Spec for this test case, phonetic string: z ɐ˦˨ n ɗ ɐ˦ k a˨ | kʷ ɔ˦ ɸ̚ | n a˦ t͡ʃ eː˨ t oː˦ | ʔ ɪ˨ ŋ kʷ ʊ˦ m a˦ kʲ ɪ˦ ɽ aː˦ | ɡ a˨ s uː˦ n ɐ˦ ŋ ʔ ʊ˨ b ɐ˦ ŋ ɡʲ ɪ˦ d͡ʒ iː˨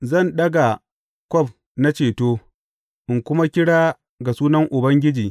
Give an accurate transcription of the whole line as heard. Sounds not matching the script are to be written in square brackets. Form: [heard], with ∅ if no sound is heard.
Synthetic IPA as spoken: z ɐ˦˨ n ɗ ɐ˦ [ɡ] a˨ | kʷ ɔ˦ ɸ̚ | n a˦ t͡ʃ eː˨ t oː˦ | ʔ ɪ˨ ŋ kʷ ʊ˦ m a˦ kʲ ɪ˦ ɽ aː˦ | ɡ a˨ s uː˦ n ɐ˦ ŋ ʔ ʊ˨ b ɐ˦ ŋ ɡʲ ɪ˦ d͡ʒ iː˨